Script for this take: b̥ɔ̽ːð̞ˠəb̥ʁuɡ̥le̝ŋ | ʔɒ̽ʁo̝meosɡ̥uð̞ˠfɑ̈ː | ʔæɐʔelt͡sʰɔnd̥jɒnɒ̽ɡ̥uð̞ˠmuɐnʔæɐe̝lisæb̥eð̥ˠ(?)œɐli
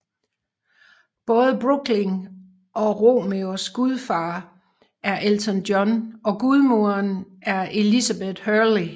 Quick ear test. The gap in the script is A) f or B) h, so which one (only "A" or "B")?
B